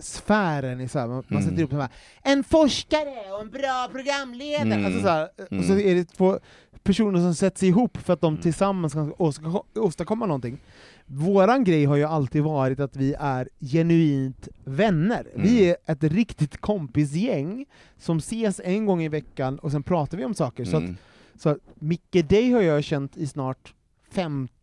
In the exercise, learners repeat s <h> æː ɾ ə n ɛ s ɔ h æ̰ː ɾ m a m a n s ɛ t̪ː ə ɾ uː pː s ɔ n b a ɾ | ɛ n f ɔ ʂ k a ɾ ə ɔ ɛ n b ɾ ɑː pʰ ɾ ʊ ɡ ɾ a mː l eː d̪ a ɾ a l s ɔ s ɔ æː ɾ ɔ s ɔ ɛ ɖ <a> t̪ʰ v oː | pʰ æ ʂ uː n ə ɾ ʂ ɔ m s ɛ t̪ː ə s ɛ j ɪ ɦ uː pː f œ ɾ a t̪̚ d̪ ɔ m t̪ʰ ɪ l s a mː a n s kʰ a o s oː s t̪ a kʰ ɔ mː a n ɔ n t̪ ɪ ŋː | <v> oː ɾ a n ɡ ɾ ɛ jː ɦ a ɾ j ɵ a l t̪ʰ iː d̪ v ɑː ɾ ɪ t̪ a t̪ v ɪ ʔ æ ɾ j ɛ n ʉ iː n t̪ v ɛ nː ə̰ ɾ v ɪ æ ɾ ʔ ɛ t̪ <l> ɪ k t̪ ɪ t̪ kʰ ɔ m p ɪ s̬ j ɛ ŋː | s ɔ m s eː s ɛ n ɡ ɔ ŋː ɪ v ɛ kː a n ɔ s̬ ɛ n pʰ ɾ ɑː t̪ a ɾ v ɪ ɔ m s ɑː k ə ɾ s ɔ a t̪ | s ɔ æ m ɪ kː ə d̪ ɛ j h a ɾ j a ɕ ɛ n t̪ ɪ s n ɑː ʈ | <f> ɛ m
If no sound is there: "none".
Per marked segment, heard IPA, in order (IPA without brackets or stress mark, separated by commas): f, ɛ, v, ɾ, f